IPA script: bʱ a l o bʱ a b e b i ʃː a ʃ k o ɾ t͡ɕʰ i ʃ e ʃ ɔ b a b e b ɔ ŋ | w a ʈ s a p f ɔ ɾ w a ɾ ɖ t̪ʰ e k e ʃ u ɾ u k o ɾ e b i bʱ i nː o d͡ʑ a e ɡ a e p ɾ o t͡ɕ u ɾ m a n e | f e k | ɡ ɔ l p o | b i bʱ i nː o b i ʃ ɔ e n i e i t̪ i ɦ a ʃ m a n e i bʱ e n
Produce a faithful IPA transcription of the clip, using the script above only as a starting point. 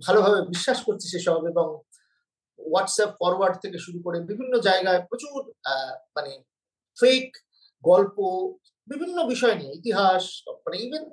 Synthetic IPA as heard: bʱ a l o bʱ a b e b i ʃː a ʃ k o ɾ t͡ɕʰ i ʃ e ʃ ɔ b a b e b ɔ ŋ | w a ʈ s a p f ɔ ɾ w a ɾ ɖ t̪ʰ e k e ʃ u ɾ u k o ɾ e b i bʱ i nː o d͡ʑ a e ɡ a e p ɾ o t͡ɕ u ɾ m a n e | f e k | ɡ ɔ l p o | b i bʱ i nː o b i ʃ ɔ e n i e i t̪ i ɦ a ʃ m a n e i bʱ e n